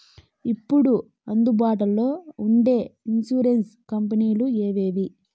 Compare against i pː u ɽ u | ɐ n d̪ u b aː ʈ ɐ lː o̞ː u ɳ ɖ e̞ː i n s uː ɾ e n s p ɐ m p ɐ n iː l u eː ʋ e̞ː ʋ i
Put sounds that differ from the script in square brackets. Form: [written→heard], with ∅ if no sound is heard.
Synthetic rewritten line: i pː u ɽ u | ɐ n d̪ u b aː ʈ ɐ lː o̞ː u ɳ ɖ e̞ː i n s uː ɾ e n s [p→k] ɐ m p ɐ n iː l u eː ʋ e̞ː ʋ i